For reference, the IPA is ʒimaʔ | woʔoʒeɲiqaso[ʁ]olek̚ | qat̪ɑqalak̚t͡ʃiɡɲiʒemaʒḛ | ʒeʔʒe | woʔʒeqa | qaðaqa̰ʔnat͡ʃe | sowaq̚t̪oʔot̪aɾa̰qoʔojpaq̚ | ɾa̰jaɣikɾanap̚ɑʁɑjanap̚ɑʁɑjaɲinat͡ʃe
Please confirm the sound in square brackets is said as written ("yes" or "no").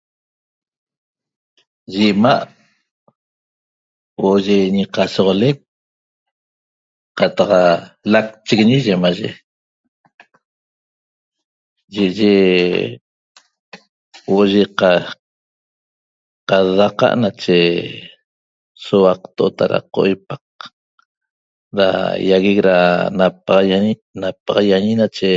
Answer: yes